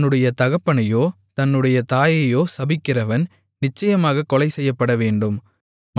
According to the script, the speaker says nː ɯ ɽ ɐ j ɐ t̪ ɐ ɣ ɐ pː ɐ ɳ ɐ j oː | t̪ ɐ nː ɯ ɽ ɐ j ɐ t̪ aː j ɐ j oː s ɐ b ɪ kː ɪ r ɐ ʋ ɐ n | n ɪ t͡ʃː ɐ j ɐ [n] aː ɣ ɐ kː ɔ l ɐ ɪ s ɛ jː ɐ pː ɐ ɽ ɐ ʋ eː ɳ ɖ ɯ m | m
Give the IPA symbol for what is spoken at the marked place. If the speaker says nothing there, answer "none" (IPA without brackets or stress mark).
m